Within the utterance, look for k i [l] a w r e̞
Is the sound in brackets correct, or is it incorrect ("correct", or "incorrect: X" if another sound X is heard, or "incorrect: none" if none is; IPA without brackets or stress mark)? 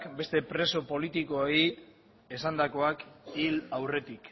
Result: correct